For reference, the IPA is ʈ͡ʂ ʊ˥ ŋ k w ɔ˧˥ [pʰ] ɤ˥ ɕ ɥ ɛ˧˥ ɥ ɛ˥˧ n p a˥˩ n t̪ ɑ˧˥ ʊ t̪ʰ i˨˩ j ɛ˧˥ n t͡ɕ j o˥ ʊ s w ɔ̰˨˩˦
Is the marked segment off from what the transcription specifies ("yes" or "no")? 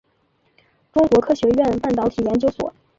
yes